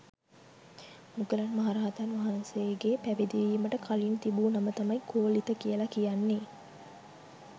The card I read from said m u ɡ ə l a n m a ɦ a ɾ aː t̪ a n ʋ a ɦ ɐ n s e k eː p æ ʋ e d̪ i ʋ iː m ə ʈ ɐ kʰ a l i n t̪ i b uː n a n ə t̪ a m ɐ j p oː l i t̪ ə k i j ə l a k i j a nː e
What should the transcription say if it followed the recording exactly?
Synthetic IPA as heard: m u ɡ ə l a n m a ɦ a ɾ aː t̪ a n ʋ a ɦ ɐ n s e ɡ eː p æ ʋ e d̪ i ʋ iː m ə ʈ ə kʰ a l i n t̪ i b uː n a m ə t̪ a m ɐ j k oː l i t̪ ə k i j ə l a k i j a nː e